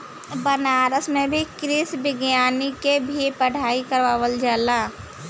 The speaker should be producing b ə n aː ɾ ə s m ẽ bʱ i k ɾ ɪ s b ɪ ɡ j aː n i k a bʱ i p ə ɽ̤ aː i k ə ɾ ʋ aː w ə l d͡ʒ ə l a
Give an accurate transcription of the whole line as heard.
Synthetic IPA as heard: b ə n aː ɾ ə s m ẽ bʱ i k ɾ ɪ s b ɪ ɡ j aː n i k e bʱ i p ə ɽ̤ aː i k ə ɾ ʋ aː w ə l d͡ʒ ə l a